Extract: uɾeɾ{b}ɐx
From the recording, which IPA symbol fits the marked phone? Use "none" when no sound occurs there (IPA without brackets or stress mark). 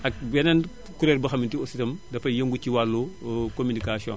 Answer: b